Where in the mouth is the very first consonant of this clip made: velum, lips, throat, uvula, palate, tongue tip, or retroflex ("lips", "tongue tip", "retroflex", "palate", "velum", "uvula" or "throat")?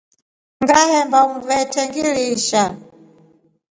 velum